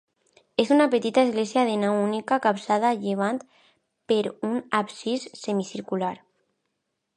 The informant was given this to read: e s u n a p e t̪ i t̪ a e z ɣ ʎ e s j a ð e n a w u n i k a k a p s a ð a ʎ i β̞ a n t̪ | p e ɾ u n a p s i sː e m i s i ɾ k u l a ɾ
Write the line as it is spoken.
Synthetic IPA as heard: e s u n a p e t̪ i t̪ a e z ɣ l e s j a ð e n a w u n i k a k a p s a ð a ʎ e β̞ a n t̪ | p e ɾ u n a p s i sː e m i s i ɾ k u l a ɾ